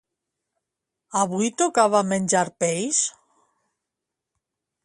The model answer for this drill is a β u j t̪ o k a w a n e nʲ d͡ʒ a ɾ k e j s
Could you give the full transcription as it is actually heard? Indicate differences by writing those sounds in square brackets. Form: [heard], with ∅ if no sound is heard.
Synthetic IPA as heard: a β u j t̪ o k a [β] a [m] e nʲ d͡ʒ a ɾ [p] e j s

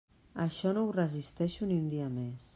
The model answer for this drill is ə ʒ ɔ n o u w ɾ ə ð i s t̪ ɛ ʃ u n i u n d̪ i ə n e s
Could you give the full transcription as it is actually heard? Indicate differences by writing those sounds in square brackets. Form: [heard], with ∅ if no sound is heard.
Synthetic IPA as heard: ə [ʃ] ɔ n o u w [r] ə [z] i s t̪ ɛ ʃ u n i u n d̪ i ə [m] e s

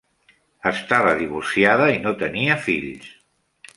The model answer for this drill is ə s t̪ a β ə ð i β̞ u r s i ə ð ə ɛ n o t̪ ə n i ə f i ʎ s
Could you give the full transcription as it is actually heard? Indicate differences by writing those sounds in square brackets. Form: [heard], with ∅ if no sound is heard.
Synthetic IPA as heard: ə s t̪ a β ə ð i β̞ u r s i [a] ð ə [i] n o t̪ ə n i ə f i ʎ s

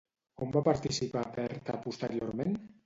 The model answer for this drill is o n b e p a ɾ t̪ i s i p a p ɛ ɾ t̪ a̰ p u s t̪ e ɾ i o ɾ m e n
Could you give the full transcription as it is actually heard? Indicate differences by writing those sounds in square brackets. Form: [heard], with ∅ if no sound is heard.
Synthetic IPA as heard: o [m] b [a] p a ɾ t̪ i s i p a p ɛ ɾ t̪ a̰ p u s t̪ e ɾ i o ɾ m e n

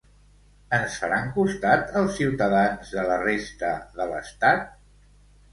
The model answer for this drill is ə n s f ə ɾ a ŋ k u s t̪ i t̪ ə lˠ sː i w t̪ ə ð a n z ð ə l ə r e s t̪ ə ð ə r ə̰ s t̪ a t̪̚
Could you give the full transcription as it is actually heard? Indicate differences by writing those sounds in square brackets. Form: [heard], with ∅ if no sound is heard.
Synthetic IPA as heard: ə n s f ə ɾ a ŋ k u s t̪ [a] t̪ ə lˠ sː i w t̪ ə ð a n z ð ə l ə r e s t̪ ə ð ə [l] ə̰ s t̪ a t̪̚

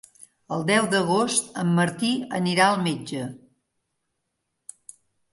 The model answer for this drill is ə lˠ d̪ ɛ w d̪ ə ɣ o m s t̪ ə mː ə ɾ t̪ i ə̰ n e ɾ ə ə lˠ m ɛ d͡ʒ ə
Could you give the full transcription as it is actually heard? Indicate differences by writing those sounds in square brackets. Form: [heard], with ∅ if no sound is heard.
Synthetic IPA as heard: ə lˠ d̪ ɛ w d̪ ə ɣ o [∅] s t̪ ə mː ə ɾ t̪ i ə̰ n [i] ɾ [a] ə lˠ m [e] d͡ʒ ə

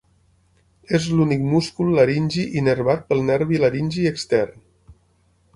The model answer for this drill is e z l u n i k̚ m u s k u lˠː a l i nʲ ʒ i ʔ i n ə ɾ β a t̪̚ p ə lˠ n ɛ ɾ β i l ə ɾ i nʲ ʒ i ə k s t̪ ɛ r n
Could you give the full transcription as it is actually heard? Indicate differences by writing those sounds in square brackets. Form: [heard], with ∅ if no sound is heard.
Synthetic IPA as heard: e z l u n i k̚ m u s k u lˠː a [ɾ] i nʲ ʒ i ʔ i n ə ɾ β a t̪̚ p ə lˠ n ɛ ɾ β i l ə ɾ i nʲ ʒ i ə k s t̪ ɛ r n

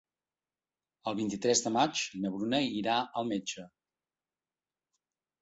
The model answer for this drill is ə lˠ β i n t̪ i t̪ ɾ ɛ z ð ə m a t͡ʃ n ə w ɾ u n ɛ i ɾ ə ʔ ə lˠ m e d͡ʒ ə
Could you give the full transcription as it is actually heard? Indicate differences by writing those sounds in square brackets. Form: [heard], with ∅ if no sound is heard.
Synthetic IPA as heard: ə lˠ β i n t̪ i t̪ ɾ ɛ z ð ə m a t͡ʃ n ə [β] ɾ u n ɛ i ɾ [a] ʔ ə lˠ m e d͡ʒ ə

